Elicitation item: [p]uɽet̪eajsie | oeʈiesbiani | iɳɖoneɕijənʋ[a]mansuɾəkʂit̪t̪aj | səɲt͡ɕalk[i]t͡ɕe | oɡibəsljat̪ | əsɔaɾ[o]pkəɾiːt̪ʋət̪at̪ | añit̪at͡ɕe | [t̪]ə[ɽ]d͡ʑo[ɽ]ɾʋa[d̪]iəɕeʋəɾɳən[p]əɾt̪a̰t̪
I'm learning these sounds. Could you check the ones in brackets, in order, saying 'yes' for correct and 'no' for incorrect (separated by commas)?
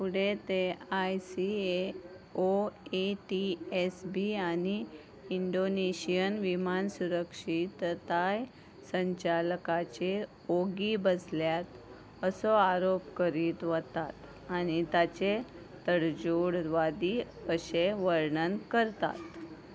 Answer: yes, no, no, yes, yes, yes, yes, yes, no